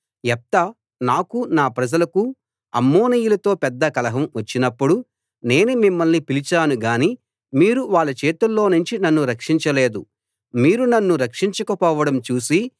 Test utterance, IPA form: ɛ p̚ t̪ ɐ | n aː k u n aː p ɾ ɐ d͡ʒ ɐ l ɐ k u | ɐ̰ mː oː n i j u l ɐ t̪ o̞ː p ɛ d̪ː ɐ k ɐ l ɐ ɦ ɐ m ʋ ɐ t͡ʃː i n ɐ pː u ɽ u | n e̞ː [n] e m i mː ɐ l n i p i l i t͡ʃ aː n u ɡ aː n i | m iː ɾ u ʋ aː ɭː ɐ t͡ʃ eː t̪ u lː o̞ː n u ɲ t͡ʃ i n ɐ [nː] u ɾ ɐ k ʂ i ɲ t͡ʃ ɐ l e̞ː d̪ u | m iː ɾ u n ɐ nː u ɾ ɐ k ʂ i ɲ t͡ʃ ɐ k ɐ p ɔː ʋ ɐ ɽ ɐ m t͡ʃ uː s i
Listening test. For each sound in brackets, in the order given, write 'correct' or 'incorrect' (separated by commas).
correct, correct